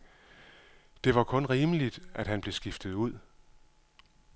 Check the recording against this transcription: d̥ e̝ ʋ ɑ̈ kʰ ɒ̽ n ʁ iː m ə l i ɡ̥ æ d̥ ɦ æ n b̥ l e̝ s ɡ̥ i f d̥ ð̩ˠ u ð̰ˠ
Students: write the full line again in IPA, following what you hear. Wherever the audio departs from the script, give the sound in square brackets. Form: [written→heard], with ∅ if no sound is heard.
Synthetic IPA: d̥ e̝ ʋ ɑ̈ kʰ [ɒ̽→ɔ̽] n ʁ iː m ə l i [ɡ̥→d̥] æ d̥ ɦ æ n b̥ l e̝ s ɡ̥ i f d̥ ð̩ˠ u ð̰ˠ